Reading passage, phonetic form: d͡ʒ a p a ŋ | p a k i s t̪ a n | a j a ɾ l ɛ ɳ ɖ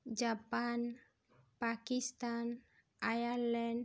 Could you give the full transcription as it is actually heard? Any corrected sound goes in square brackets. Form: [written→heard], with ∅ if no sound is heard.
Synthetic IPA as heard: d͡ʒ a p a [ŋ→n] | p a k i s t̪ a n | a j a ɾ l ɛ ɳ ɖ